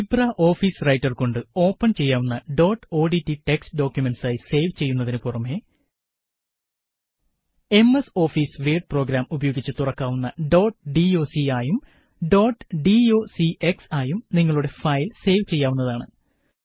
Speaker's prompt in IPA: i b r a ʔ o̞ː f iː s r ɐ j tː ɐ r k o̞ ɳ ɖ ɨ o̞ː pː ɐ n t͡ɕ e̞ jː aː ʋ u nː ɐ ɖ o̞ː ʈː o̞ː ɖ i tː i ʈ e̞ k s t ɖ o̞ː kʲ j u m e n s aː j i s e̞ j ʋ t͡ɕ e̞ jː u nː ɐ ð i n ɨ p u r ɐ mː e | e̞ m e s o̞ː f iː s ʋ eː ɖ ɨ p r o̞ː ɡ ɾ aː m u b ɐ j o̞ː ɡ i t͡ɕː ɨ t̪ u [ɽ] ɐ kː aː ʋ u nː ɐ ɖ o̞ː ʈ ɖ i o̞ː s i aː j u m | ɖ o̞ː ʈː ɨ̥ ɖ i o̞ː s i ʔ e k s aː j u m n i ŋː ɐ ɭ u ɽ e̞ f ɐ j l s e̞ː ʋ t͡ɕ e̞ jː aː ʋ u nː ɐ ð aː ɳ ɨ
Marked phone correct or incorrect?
incorrect